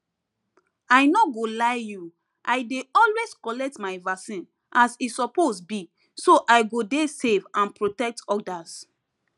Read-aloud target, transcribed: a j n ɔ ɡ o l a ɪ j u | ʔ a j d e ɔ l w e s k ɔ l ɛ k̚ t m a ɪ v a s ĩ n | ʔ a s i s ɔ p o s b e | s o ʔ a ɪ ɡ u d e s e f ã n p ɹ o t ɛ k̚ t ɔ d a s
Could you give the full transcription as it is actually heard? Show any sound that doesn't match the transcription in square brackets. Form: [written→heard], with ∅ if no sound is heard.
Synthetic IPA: a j n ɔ ɡ o l a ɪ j u | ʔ a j d e ɔ l w e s k ɔ l ɛ k̚ t m a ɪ v a s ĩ n | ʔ a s i s ɔ p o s b [e→i] | s o ʔ a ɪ ɡ [u→o] d e s e [f→v] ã n p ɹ o t ɛ k̚ t ɔ d a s